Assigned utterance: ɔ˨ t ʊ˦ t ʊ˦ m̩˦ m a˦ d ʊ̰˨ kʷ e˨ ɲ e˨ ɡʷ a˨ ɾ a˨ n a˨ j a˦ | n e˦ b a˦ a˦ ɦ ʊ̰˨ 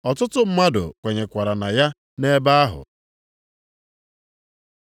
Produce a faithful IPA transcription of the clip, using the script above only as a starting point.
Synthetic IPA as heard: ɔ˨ t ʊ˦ t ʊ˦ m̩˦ m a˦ d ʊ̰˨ kʷ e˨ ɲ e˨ kʷ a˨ ɾ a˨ n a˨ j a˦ | n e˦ b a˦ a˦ ɦ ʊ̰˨